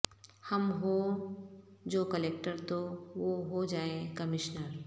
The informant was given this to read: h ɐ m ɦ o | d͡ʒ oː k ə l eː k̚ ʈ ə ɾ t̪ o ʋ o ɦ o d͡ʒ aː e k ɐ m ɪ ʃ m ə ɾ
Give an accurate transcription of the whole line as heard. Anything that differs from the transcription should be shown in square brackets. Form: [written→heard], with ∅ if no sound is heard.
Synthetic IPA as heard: h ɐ m ɦ o | d͡ʒ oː k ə l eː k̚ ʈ ə ɾ t̪ o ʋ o ɦ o d͡ʒ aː e k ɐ m ɪ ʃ [m→n] ə ɾ

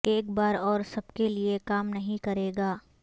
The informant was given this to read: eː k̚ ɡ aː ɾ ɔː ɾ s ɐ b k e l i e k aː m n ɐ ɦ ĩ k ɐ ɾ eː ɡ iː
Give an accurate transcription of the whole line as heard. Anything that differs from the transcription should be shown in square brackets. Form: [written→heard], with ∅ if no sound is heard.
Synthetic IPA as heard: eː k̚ [ɡ→b] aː ɾ ɔː ɾ s ɐ b k e l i e k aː m n ɐ ɦ ĩ k ɐ ɾ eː ɡ [iː→aː]

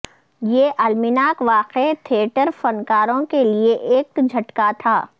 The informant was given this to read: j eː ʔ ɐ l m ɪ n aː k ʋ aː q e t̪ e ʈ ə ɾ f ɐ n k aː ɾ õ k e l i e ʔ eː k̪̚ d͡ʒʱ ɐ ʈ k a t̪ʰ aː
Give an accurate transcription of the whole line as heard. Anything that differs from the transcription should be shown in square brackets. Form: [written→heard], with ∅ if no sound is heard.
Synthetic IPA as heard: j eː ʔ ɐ l m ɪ n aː k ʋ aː q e [t̪→t̪ʰ] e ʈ ə ɾ f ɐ n k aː ɾ õ k e l i e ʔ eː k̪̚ d͡ʒʱ ɐ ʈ k a t̪ʰ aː

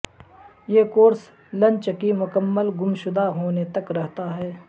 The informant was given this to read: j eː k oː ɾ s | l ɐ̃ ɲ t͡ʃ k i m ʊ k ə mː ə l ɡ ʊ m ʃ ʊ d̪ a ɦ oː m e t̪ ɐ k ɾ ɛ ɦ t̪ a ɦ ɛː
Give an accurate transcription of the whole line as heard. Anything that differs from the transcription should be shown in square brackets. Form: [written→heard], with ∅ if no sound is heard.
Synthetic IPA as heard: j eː k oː ɾ s | l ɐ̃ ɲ t͡ʃ k i m ʊ k ə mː ə l ɡ ʊ m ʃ ʊ d̪ a ɦ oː [m→n] e t̪ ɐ k ɾ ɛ ɦ t̪ a ɦ ɛː

